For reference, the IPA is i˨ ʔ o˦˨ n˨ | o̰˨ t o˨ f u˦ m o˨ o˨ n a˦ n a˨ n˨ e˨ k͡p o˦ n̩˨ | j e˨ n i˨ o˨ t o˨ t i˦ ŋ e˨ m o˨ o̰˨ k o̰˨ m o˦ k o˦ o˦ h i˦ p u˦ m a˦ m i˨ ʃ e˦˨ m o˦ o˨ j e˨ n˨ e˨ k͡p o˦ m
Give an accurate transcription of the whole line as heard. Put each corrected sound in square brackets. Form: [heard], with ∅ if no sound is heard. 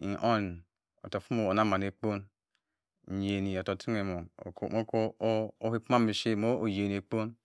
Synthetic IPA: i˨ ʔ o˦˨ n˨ | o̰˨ t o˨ f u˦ m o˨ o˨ n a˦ [m] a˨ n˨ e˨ k͡p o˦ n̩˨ | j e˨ n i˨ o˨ t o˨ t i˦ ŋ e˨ m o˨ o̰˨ k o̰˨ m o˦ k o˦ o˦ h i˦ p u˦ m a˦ m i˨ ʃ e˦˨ m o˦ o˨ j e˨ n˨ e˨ k͡p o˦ [n]

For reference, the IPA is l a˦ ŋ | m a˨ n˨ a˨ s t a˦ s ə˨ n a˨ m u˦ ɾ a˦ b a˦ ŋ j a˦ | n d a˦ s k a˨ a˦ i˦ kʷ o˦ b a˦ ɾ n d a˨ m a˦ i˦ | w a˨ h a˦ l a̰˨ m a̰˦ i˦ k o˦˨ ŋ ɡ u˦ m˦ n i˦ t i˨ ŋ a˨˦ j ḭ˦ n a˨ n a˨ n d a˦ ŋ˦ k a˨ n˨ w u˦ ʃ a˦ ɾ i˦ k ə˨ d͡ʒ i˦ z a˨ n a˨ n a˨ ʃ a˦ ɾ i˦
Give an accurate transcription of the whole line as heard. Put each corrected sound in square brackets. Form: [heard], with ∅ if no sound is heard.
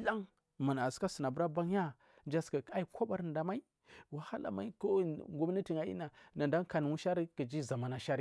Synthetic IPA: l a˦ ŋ | m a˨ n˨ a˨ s [k] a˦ s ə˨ n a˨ [b] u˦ ɾ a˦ b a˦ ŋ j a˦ | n [d͡ʒ] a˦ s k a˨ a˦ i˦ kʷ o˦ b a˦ ɾ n d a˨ m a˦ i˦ | w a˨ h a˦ l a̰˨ m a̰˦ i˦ k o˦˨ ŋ ɡ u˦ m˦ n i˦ t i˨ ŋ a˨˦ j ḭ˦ n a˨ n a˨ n d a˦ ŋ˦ k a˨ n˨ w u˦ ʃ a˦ ɾ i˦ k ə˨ d͡ʒ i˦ z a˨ [m] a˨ n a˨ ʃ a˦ ɾ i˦

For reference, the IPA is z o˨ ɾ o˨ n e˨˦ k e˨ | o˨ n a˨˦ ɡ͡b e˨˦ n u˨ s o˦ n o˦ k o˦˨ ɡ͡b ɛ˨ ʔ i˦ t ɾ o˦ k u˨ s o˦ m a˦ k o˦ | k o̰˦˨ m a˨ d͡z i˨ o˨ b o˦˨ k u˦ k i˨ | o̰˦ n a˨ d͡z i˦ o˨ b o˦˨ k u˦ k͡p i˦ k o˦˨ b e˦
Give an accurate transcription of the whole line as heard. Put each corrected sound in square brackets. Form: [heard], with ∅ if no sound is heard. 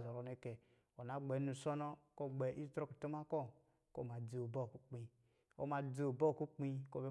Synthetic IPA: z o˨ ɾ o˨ n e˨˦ k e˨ | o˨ n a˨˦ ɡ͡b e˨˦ n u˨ s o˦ n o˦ k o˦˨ ɡ͡b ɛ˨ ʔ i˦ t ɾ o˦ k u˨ [t] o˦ m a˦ k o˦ | k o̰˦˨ m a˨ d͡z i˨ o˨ b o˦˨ k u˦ [k͡p] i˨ | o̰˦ [m] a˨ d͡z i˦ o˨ b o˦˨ k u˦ k͡p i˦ k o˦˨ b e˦

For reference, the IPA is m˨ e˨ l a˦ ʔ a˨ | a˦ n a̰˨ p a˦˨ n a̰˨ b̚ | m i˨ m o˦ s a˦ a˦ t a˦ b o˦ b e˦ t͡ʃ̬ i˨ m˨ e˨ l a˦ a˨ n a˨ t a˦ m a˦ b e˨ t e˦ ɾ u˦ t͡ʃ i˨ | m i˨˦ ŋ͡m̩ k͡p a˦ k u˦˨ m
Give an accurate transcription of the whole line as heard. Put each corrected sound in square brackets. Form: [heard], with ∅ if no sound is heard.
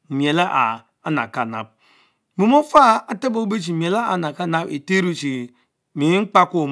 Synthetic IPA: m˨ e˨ l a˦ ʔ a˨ | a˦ n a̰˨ [k] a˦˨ n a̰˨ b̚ | m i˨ m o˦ [f] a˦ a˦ t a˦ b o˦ b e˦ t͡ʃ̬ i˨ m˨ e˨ l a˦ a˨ n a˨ [k] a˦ [n] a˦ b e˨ t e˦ ɾ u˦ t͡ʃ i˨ | m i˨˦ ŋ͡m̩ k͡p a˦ k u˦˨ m

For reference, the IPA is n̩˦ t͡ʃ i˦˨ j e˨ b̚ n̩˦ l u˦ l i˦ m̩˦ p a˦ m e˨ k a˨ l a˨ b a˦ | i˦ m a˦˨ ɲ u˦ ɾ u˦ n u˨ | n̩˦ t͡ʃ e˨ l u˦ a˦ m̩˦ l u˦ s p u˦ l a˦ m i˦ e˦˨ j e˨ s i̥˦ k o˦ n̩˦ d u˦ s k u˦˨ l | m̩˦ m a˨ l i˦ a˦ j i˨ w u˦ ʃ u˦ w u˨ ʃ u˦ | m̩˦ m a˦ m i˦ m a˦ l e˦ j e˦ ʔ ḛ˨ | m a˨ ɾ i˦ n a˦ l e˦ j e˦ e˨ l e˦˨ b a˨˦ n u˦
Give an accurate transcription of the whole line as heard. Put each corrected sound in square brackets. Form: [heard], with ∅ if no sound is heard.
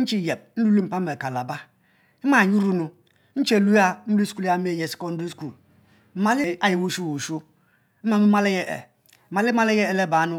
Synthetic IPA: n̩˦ t͡ʃ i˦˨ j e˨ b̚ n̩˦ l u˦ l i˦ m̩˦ p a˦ m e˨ k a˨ l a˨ b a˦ | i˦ m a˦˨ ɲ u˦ ɾ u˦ n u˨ | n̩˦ t͡ʃ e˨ l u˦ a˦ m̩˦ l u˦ s [k] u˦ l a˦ m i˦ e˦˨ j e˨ s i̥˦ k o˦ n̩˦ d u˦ s k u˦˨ l | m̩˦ m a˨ l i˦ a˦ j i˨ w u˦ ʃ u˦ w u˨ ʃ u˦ | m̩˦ m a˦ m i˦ m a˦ l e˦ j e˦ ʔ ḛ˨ | m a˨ [l] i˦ [m] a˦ l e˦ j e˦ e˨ l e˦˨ b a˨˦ n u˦

